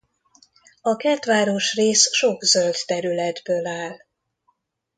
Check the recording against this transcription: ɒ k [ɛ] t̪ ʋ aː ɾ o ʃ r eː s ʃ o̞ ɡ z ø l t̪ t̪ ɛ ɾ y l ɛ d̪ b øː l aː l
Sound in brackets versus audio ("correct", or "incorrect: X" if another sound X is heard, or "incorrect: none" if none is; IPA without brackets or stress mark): correct